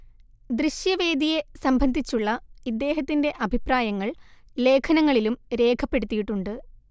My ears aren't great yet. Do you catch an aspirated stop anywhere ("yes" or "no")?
yes